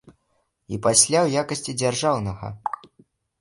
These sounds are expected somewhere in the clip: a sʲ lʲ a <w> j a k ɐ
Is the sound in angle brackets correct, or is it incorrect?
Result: correct